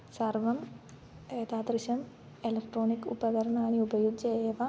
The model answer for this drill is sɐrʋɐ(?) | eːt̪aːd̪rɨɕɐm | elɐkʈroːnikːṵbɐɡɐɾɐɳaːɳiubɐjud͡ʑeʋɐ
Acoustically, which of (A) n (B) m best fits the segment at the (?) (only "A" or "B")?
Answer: B